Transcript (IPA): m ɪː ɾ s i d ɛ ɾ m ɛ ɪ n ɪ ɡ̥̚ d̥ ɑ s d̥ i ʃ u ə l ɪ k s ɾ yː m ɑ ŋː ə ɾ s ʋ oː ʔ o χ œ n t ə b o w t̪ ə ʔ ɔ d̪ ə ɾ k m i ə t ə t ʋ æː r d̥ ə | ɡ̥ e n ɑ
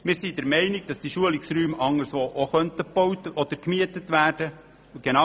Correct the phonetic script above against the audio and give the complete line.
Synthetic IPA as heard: m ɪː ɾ s i d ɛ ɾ m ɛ ɪ n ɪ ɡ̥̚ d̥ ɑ s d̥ i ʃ u ə l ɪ k s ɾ yː m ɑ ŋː ə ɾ s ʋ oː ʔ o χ œ n t ə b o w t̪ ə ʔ ɔ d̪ ə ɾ k m i ə t ə t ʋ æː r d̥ ə | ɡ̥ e n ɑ